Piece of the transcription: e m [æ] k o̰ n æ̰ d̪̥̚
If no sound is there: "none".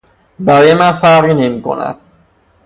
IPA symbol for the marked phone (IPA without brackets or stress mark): i